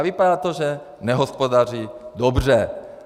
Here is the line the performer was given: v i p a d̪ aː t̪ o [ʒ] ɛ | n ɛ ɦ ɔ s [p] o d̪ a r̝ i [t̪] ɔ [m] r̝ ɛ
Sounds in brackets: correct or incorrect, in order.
correct, correct, incorrect: d̪, incorrect: b

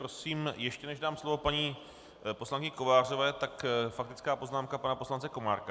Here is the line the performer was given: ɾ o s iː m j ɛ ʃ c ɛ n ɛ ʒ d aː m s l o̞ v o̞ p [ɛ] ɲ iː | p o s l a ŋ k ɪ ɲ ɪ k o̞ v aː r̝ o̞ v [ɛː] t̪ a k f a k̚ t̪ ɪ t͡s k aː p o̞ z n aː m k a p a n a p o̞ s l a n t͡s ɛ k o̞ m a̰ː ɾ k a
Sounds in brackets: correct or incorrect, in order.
incorrect: a, correct

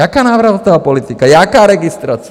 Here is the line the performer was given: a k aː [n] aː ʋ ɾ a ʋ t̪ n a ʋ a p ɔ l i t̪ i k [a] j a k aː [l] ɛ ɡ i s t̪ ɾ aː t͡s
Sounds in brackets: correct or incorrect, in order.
correct, correct, incorrect: ɾ

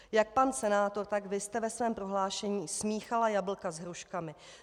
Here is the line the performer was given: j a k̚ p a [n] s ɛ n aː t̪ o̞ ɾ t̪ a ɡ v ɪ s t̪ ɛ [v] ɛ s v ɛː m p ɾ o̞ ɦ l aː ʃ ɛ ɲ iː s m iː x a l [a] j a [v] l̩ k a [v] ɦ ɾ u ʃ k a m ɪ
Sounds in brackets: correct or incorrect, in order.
correct, correct, correct, incorrect: b, incorrect: z

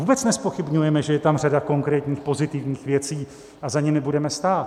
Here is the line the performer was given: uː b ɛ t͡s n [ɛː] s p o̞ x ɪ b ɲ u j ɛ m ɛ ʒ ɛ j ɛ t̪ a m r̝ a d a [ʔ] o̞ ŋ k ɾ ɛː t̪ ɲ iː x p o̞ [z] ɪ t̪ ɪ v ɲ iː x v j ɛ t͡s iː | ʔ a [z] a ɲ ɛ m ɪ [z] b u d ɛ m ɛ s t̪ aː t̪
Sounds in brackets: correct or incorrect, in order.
incorrect: ɛ, incorrect: k, correct, correct, incorrect: none

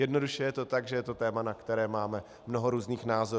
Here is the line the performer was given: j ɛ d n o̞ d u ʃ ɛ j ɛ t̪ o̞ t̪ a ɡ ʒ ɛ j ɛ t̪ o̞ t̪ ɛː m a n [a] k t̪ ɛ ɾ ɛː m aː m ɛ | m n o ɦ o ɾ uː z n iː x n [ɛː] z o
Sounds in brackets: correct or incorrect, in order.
correct, incorrect: aː

